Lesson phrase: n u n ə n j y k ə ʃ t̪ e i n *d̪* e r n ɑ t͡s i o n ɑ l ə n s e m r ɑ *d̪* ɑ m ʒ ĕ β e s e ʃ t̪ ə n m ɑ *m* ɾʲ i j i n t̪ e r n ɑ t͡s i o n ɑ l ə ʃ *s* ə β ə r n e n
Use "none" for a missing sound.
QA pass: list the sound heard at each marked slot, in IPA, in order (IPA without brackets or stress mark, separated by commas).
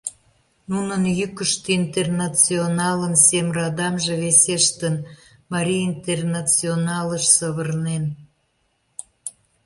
t̪, d̪, none, s